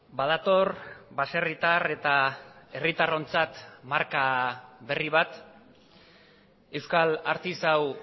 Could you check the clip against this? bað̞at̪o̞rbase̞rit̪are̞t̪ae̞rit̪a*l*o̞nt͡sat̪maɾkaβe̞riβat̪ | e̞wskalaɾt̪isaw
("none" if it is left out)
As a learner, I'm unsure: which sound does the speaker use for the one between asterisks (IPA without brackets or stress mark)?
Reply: r